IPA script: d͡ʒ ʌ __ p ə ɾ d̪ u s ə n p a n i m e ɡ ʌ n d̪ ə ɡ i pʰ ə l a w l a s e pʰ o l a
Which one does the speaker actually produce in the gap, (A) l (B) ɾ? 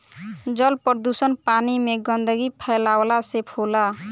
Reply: A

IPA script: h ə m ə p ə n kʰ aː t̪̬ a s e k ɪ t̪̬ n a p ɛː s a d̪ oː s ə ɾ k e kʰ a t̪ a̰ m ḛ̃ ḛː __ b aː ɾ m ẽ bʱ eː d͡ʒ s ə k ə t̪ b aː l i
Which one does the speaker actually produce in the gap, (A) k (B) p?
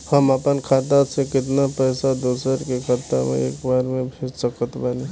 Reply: A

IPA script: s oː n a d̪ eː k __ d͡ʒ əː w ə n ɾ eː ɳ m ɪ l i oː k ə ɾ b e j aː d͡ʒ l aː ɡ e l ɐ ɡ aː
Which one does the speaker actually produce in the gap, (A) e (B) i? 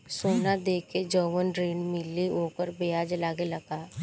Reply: A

